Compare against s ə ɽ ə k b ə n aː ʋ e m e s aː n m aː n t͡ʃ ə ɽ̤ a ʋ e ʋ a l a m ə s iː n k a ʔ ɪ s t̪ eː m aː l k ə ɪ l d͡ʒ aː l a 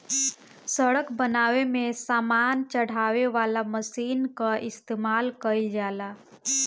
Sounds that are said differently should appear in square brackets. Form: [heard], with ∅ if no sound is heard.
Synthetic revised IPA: s ə ɽ ə k b ə n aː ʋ e m e s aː [∅] m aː n t͡ʃ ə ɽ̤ a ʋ e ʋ a l a m ə s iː n k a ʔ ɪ s t̪ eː m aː l k ə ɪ l d͡ʒ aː l a